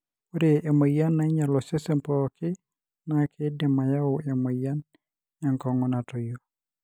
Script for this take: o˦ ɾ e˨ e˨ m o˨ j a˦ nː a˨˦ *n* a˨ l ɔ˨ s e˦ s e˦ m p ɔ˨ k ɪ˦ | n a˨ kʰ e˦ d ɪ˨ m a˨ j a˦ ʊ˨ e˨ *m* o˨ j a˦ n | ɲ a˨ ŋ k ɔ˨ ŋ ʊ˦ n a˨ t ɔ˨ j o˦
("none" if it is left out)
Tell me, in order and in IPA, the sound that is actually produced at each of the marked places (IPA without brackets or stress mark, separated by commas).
ɲ, m